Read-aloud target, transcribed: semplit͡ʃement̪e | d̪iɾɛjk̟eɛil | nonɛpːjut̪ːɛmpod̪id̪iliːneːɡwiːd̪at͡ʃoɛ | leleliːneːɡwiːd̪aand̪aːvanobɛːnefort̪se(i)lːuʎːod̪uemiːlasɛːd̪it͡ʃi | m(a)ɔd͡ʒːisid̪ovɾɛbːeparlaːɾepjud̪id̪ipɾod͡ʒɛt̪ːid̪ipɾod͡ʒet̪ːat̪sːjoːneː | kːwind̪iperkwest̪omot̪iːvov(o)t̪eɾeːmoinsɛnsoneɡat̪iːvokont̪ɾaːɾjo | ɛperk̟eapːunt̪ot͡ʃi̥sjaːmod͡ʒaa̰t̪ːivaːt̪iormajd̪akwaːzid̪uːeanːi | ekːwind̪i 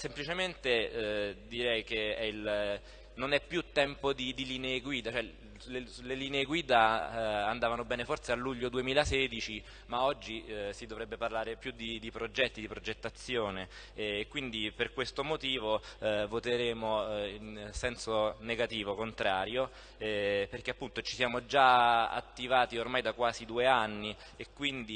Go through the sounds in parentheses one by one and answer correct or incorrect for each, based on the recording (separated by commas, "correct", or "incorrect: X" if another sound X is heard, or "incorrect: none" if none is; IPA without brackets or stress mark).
incorrect: a, correct, correct